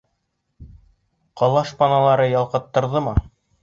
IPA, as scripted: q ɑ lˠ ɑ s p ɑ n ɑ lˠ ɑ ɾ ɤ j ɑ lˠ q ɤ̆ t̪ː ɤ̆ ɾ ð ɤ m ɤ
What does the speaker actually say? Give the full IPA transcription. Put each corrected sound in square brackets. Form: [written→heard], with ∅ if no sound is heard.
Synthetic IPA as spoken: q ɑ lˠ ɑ [s→ʃ] p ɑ n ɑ lˠ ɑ ɾ ɤ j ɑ lˠ q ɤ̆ t̪ː ɤ̆ ɾ ð ɤ m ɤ